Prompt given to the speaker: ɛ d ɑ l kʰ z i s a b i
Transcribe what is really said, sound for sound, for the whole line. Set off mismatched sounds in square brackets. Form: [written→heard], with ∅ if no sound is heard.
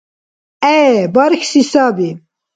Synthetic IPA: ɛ [d→b] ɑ [l→ɾ] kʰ [z→s] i s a b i